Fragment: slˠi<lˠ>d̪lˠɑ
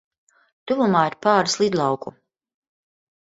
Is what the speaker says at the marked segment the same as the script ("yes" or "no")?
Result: no